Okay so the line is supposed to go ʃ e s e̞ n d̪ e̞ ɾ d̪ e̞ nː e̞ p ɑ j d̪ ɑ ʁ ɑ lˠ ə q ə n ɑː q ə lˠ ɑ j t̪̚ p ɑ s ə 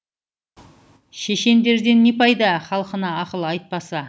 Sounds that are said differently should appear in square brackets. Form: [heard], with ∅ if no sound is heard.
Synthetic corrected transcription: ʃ e [ʃ] e̞ n d̪ e̞ ɾ d̪ e̞ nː e̞ p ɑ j d̪ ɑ [χ] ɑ lˠ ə q ə n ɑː q ə lˠ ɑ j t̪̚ p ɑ s [ɑ]